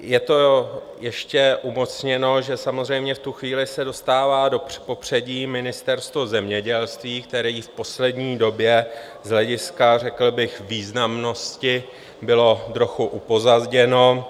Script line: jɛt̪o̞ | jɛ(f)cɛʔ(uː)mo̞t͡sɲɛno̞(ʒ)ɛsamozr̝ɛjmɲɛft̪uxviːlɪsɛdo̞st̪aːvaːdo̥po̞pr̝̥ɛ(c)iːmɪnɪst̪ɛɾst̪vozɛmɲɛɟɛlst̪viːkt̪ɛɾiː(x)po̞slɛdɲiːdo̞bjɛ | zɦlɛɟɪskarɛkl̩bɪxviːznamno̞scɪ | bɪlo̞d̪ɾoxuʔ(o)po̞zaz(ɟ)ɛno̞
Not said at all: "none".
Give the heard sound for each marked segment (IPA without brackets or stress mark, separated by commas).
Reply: ʃ, u, ʒ, ɟ, f, u, ɟ